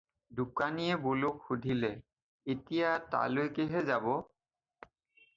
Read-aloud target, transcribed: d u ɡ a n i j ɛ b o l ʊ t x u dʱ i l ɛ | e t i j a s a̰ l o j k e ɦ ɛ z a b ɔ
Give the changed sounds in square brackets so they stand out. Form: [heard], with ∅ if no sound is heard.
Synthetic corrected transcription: d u [k] a n i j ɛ b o l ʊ [k] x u dʱ i l ɛ | e t i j a [t] a̰ l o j k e ɦ ɛ z a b ɔ

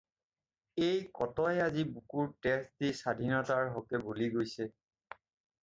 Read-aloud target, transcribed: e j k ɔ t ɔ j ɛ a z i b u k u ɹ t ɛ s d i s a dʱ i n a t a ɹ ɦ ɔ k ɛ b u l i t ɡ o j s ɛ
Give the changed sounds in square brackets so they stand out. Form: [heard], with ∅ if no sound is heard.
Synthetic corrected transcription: e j k ɔ t ɔ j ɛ a z i b u k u ɹ t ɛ s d i s a dʱ i n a t a ɹ ɦ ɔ k ɛ b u l i [∅] ɡ o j s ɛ

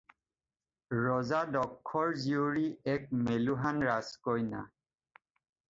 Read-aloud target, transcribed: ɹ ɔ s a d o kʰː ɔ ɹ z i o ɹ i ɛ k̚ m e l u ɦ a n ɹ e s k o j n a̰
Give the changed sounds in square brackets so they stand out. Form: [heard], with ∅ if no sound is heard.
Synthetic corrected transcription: ɹ ɔ [z] a d [ɔ] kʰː ɔ ɹ z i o ɹ i ɛ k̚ m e l u ɦ a n ɹ [a] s k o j n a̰

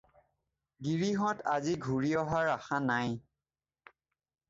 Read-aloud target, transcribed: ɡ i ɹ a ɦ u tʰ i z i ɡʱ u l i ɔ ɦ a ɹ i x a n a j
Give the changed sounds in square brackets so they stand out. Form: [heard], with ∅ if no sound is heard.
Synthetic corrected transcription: ɡ i ɹ [i] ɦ [ɔ] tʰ [a] z i ɡʱ u [ɹ] i ɔ ɦ a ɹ [a] x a n a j

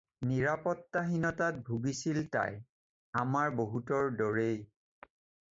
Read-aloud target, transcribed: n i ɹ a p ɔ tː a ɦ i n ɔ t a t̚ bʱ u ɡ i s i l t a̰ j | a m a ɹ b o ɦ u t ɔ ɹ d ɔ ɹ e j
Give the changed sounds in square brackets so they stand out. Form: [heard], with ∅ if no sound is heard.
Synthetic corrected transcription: n i ɹ a p ɔ tː a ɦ i n ɔ t a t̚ bʱ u ɡ i s i l t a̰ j | a m a ɹ b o ɦ u t ɔ ɹ d ɔ ɹ e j

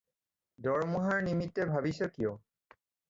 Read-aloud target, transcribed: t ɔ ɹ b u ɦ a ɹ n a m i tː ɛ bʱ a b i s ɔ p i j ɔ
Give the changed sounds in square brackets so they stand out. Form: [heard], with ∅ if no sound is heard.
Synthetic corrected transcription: [d] ɔ ɹ [m] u ɦ a ɹ n [i] m i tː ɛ bʱ a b i s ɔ [k] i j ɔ

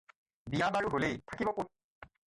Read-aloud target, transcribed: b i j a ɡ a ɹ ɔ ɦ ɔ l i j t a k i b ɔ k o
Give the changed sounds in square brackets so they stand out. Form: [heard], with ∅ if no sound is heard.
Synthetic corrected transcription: b i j a [b] a ɹ [u] ɦ [o] l [e] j [tʰ] a k i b ɔ k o

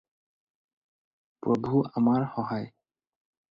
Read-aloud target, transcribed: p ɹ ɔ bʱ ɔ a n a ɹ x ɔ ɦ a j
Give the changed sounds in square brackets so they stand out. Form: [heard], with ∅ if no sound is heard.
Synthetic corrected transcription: p ɹ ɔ bʱ [u] a [m] a ɹ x ɔ ɦ a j

